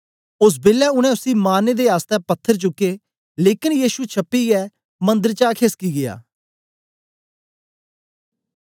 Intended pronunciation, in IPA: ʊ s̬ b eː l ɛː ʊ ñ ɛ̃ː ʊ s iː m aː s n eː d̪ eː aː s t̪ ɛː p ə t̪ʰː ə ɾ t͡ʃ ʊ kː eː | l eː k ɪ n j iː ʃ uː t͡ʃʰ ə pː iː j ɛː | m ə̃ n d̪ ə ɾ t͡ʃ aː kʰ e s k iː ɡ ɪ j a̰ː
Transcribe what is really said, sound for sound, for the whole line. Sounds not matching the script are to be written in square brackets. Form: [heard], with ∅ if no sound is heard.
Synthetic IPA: ʊ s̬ b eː l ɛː ʊ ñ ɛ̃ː ʊ s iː m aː [∅] n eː d̪ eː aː s t̪ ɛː p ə t̪ʰː ə ɾ t͡ʃ ʊ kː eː | l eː k ɪ n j iː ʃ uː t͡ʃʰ ə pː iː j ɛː | m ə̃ n d̪ ə ɾ t͡ʃ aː kʰ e s k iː ɡ ɪ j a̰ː